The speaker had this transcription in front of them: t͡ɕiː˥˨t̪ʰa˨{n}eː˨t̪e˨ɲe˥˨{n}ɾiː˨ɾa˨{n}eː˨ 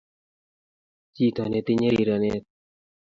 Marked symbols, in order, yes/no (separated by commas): yes, no, yes